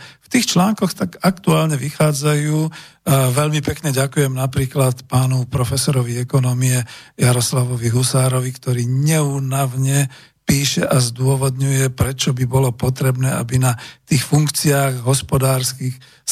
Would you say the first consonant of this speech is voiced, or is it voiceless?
voiceless